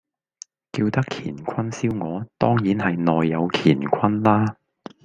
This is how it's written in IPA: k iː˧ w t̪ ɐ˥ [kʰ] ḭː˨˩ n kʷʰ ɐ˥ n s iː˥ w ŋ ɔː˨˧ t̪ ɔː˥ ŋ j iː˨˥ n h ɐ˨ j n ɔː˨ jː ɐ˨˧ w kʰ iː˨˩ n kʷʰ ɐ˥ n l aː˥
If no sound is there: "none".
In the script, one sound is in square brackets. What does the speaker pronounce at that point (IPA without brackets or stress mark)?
kʰ